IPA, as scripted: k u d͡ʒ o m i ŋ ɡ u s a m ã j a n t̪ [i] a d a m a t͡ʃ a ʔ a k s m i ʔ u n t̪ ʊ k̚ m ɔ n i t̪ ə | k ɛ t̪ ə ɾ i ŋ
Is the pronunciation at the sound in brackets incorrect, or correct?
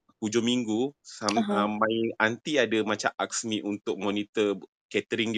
correct